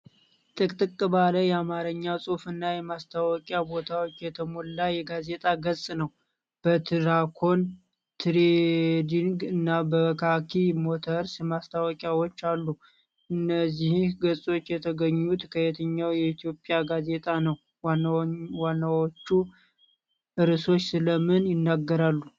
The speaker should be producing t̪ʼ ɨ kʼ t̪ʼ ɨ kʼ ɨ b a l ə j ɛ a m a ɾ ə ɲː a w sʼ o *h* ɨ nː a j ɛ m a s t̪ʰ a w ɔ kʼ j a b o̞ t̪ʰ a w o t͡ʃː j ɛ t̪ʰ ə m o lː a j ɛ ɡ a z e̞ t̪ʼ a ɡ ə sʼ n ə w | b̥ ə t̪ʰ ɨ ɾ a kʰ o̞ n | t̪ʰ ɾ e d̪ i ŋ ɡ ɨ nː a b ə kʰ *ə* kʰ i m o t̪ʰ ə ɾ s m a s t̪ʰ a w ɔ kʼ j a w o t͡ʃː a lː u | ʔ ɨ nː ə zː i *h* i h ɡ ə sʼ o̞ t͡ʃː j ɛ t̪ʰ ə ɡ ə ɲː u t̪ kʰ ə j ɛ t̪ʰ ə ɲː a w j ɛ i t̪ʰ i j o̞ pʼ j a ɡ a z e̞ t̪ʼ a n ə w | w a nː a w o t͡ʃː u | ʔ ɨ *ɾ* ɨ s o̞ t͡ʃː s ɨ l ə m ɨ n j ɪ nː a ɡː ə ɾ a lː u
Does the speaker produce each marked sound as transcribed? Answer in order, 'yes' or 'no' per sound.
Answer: no, no, yes, yes

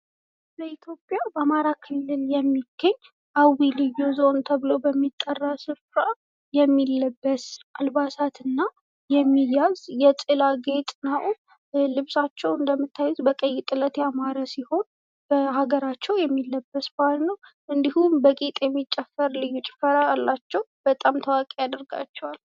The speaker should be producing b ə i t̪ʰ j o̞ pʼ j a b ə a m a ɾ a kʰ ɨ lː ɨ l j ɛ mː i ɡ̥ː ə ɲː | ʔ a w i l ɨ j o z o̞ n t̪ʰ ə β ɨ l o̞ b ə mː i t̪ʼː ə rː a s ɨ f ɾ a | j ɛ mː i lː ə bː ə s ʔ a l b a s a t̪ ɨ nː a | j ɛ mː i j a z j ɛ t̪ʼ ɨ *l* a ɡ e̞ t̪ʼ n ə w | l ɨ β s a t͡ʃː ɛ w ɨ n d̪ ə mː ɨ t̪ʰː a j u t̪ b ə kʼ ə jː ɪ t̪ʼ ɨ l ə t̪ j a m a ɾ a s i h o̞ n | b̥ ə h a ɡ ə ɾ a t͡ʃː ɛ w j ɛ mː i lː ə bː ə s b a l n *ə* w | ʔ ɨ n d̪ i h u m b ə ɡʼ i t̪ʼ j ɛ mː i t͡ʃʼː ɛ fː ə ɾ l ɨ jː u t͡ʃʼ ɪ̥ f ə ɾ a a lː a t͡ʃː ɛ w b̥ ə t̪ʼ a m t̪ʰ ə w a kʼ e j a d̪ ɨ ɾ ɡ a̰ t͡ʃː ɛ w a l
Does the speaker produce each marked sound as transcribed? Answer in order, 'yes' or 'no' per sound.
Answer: yes, yes

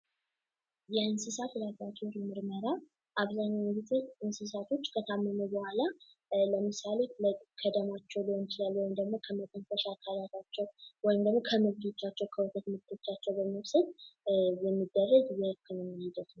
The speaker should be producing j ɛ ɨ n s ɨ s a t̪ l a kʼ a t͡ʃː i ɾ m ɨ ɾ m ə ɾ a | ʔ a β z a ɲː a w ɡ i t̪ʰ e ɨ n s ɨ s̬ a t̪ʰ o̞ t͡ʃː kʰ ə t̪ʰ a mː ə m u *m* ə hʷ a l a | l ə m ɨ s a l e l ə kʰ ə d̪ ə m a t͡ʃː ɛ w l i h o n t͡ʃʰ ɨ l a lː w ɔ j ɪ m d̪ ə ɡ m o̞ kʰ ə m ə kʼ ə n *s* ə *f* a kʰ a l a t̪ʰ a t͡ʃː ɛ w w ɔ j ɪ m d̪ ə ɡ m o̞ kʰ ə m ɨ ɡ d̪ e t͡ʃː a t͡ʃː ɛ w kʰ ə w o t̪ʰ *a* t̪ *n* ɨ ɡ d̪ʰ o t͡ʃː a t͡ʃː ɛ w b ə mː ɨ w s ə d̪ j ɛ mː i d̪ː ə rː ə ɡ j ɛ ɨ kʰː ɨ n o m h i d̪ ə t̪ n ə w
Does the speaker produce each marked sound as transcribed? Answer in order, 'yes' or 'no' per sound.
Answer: no, no, no, no, no

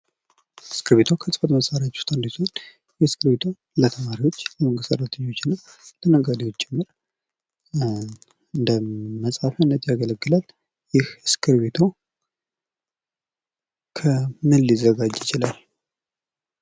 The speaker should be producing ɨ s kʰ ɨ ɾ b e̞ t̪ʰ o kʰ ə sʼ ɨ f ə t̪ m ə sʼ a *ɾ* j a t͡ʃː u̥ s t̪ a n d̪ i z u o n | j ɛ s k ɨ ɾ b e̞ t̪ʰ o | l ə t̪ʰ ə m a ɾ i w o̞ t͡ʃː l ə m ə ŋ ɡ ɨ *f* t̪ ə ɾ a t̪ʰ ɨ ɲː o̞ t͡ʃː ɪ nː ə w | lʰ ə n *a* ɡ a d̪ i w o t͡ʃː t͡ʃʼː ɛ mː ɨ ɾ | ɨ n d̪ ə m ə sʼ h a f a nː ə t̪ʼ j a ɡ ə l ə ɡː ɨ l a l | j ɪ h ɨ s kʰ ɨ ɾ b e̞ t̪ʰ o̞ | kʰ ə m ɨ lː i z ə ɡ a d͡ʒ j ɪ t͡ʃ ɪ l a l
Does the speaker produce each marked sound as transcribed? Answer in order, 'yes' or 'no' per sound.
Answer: yes, no, no

